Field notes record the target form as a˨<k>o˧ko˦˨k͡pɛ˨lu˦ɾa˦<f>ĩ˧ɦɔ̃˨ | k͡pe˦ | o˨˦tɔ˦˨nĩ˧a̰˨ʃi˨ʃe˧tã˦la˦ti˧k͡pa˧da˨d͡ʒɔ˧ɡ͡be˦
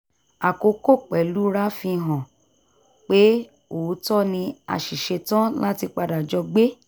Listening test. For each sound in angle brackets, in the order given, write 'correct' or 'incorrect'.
correct, correct

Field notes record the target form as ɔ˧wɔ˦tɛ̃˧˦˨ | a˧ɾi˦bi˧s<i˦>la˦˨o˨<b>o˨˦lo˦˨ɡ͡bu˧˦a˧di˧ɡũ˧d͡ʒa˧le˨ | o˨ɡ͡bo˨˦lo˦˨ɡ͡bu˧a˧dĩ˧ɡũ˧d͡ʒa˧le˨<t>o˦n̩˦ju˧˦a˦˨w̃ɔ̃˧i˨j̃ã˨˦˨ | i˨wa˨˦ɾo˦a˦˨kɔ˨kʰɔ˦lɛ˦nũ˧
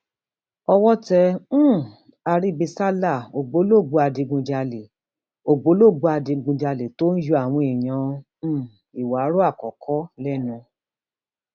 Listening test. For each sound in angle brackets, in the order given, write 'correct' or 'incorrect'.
incorrect: a˦, incorrect: ɡ͡b, correct

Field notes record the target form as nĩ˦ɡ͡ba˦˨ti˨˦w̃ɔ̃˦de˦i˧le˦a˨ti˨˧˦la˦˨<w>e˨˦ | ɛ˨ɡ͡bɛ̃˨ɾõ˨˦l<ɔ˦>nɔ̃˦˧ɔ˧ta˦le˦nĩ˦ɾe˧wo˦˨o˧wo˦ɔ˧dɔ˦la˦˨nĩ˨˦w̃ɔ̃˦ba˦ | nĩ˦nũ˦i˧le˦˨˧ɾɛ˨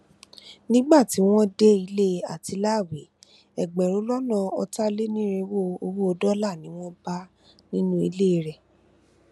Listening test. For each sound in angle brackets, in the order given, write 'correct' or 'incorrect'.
correct, correct

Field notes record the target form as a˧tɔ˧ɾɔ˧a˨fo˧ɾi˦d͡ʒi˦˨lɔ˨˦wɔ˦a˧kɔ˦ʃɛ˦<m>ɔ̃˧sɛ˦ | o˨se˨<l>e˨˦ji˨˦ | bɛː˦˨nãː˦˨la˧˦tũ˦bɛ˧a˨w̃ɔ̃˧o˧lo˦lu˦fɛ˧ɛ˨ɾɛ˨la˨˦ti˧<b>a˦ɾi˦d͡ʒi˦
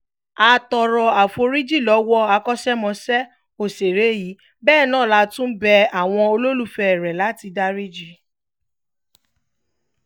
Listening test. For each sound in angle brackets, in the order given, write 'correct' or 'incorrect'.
correct, incorrect: ɾ, incorrect: d

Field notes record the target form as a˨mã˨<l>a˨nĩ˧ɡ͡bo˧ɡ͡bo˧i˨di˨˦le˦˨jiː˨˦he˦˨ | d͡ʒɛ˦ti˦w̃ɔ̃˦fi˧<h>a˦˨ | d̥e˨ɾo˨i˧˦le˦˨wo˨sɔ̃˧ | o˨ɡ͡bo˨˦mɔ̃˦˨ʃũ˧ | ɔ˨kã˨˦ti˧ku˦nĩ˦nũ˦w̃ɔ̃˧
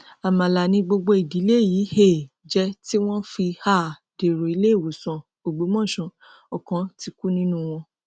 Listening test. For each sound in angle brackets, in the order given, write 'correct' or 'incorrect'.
correct, correct

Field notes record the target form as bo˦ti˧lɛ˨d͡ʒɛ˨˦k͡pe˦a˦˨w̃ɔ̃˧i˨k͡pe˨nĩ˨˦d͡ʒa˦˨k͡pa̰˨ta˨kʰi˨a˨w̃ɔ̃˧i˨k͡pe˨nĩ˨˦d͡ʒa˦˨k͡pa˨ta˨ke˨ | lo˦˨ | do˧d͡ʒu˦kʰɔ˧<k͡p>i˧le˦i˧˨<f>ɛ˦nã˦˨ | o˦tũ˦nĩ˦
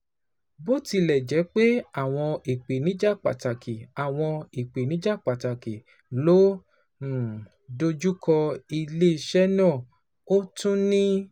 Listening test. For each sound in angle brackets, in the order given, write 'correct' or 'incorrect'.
incorrect: none, incorrect: ʃ

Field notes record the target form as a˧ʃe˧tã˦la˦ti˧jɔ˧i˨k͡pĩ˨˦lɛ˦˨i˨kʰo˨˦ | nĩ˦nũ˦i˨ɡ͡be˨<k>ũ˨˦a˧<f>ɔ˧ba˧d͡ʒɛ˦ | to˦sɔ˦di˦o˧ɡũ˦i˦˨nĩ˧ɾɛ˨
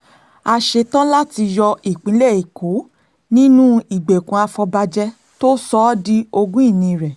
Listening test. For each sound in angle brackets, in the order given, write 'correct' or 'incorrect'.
correct, correct

